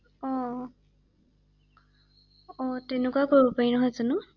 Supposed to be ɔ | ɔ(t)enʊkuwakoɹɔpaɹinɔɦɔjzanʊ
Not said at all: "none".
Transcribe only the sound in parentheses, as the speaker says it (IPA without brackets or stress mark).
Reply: t